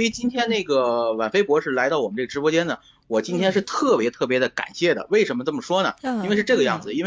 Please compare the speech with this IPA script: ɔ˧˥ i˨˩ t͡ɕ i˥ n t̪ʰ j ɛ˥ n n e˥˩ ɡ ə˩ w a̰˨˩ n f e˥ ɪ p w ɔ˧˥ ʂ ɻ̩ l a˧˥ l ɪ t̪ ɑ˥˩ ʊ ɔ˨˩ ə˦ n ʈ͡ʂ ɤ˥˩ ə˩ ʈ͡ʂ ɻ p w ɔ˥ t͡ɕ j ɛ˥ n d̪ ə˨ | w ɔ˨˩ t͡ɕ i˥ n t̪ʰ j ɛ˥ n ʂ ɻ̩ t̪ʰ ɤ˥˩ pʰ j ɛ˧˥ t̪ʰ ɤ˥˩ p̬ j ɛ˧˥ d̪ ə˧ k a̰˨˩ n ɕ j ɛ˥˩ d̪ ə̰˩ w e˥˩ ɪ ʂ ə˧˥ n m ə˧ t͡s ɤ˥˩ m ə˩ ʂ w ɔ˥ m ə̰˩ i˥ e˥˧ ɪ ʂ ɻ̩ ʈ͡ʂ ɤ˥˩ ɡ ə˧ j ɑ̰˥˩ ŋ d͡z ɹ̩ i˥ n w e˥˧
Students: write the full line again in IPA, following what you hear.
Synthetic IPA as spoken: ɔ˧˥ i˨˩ t͡ɕ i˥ n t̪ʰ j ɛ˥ n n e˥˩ ɡ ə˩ w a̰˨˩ n f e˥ ɪ p w ɔ˧˥ ʂ ɻ̩ l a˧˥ ɪ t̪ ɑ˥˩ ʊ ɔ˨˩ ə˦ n ʈ͡ʂ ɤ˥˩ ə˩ ʈ͡ʂ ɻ p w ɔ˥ t͡ɕ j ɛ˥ n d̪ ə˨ | w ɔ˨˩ t͡ɕ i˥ n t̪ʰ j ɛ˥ n ʂ ɻ̩ t̪ʰ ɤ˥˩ p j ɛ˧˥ t̪ʰ ɤ˥˩ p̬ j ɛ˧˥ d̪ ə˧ k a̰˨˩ n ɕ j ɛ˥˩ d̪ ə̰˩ w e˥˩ ɪ ʂ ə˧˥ n m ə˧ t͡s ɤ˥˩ m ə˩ ʂ w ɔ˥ n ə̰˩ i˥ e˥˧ ɪ ʂ ɻ̩ ʈ͡ʂ ɤ˥˩ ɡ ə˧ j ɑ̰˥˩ ŋ d͡z ɹ̩ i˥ n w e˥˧